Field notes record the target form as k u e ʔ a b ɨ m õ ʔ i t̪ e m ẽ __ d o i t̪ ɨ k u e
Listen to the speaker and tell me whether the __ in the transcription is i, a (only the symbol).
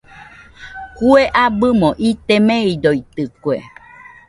i